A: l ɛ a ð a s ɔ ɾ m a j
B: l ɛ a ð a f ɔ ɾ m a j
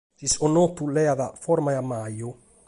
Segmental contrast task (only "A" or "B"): B